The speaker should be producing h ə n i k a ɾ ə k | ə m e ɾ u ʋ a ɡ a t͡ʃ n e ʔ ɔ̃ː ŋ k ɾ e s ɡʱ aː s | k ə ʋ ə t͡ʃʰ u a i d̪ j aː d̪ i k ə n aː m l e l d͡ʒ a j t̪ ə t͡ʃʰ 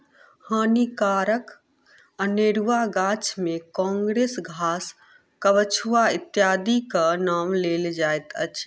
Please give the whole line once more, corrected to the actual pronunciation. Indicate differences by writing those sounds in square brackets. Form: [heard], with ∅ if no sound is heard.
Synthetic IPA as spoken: h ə n i k a ɾ ə k | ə [n] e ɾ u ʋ a ɡ a t͡ʃ [m] e [k] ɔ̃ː ŋ [ɡ] ɾ e s ɡʱ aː s | k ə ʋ ə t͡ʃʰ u a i [t̪] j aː d̪ i k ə n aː m l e l d͡ʒ a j t̪ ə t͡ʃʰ